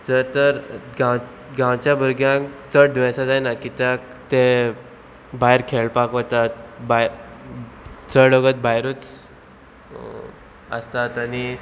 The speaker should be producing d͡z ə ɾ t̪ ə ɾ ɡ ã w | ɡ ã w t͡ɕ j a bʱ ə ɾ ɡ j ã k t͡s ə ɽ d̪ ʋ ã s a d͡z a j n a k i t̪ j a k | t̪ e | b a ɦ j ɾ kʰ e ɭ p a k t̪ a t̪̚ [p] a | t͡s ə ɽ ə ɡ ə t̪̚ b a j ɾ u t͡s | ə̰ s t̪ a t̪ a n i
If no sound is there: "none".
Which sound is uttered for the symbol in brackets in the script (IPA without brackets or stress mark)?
b